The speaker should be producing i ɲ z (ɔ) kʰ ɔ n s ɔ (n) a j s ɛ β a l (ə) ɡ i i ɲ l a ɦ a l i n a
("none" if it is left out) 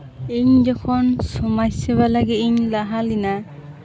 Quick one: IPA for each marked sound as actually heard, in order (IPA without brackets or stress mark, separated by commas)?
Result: ɔ, m, a